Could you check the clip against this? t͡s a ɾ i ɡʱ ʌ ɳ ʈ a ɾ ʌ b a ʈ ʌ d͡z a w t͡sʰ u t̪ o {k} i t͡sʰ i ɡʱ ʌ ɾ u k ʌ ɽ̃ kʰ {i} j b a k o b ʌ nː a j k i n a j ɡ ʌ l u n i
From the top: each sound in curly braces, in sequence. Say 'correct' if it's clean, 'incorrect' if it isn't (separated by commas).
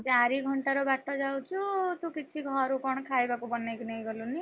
correct, incorrect